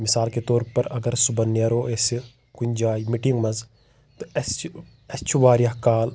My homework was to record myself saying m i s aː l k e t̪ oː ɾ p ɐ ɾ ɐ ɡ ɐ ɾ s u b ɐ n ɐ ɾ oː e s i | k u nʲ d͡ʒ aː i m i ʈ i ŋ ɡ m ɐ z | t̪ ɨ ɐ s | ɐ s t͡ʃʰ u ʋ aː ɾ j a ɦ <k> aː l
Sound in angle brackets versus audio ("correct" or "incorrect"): correct